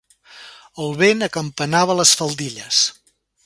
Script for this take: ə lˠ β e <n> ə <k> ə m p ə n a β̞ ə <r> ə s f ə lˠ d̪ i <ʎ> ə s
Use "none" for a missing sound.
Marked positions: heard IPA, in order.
n, k, l, ʎ

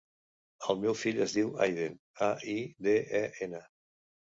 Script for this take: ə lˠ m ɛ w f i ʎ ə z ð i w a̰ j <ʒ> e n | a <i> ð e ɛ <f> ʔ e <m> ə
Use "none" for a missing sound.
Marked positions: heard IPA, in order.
ð, i, none, n

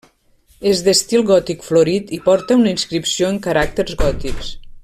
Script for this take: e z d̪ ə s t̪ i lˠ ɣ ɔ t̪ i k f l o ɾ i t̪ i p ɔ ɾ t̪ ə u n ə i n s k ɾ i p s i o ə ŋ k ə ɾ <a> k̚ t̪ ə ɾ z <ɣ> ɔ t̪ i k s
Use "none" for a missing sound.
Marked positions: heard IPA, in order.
a, ɣ

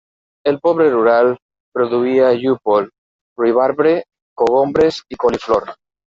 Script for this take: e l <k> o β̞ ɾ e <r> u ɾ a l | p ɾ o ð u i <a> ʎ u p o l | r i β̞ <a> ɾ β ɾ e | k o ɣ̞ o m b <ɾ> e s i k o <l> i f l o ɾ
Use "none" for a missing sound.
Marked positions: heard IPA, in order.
p, r, a, a, ɾ, l

